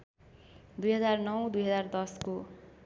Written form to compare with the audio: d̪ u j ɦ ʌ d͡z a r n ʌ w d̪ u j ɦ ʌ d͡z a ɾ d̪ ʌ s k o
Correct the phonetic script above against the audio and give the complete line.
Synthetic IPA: d̪ u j ɦ ʌ d͡z a r n ʌ w d̪ u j ɦ ʌ d͡z a r d̪ ʌ s k o

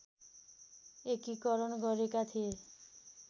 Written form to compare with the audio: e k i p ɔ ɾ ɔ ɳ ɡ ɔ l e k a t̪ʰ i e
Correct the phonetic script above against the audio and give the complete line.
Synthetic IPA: e k i k ɔ ɾ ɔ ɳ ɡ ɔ ɾ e k a t̪ʰ i e

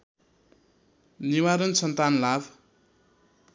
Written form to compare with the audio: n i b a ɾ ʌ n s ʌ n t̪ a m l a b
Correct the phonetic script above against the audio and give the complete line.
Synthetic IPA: n i w a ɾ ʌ n s ʌ n t̪ a n l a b

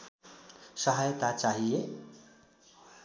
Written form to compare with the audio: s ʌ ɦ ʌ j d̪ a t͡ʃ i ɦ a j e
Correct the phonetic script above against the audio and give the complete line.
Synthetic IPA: s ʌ ɦ a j t̪ a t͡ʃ a ɦ i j e

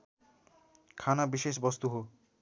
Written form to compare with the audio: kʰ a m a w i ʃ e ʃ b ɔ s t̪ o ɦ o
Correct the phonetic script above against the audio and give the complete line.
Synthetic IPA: kʰ a n a b i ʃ e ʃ b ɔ s t̪ u ɦ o

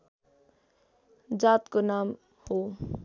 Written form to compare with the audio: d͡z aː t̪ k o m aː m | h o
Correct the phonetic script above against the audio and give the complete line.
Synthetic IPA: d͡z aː t̪ k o n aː m | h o

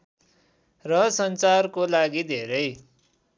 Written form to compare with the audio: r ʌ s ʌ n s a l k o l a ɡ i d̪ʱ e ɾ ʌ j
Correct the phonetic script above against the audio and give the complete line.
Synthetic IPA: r ʌ s ʌ n t͡s a r k o l a ɡ i d̪ʱ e ɾ ʌ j

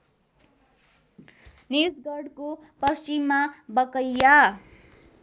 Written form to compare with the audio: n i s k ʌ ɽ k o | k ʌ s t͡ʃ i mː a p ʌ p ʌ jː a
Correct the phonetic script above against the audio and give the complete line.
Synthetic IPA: n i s ɡ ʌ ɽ k o | p ʌ s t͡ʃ i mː a b ʌ k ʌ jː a

